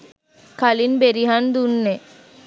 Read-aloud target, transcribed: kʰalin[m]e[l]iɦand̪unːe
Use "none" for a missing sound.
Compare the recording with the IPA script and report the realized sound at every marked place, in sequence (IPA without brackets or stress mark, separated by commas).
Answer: b, ɾ